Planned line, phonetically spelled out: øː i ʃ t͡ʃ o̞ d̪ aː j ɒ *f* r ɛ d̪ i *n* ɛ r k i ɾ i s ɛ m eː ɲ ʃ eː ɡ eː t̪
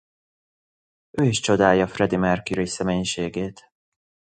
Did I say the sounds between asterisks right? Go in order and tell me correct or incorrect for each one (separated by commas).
correct, incorrect